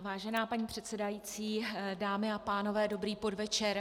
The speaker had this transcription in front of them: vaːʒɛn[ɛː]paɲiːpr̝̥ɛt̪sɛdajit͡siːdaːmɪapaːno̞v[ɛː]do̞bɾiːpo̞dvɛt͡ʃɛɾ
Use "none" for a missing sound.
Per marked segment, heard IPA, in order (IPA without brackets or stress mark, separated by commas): aː, ɛː